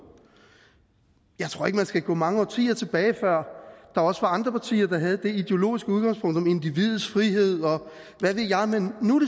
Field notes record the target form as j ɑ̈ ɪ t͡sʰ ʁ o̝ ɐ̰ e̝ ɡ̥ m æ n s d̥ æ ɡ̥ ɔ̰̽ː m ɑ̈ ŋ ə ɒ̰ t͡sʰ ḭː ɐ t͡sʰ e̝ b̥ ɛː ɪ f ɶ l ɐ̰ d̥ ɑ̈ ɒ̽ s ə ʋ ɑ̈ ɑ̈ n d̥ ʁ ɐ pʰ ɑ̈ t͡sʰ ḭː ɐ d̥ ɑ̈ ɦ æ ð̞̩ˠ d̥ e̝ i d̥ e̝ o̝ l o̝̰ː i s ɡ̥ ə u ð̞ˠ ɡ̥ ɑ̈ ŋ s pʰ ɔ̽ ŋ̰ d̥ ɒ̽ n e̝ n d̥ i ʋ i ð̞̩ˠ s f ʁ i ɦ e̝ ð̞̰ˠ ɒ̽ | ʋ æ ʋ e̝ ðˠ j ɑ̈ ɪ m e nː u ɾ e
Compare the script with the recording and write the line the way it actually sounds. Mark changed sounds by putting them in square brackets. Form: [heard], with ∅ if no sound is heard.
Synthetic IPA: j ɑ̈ ɪ t͡sʰ ʁ o̝ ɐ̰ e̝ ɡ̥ m æ n s [ɡ̥] æ ɡ̥ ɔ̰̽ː m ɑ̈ ŋ ə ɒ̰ t͡sʰ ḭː ɐ t͡sʰ e̝ b̥ ɛː ɪ f ɶ [∅] ɐ̰ d̥ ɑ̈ ɒ̽ s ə ʋ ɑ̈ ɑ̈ n d̥ ʁ ɐ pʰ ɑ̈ t͡sʰ ḭː ɐ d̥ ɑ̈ ɦ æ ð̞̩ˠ d̥ e̝ i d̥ e̝ o̝ l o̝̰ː i s ɡ̥ ə u ð̞ˠ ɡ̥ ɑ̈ ŋ s pʰ ɔ̽ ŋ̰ d̥ ɒ̽ [m] e̝ n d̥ i ʋ i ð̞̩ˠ s f ʁ i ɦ e̝ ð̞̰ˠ ɒ̽ | ʋ æ ʋ e̝ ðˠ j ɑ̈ ɪ m e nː u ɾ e